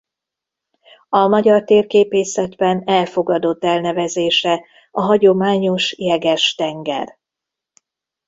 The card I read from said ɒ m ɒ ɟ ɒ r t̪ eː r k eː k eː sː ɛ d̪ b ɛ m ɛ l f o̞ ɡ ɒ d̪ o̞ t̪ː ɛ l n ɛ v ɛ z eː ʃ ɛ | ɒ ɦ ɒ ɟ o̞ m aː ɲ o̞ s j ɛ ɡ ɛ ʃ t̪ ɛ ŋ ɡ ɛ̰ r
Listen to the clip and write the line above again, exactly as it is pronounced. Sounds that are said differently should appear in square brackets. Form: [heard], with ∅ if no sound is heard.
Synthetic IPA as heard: ɒ m ɒ ɟ ɒ r t̪ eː r k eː [p] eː [s] ɛ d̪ b ɛ [n] ɛ l f o̞ ɡ ɒ d̪ o̞ t̪ː ɛ l n ɛ v ɛ z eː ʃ ɛ | ɒ ɦ ɒ ɟ o̞ m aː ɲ o̞ [ʃ] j ɛ ɡ ɛ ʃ t̪ ɛ ŋ ɡ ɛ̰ r